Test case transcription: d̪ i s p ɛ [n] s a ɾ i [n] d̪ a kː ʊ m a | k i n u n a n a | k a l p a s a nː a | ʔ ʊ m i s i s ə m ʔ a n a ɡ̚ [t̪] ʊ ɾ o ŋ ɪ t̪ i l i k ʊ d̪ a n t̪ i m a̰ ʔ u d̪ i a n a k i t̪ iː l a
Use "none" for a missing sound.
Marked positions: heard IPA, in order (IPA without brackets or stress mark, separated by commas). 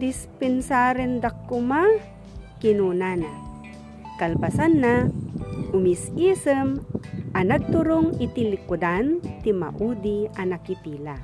n, n, t̪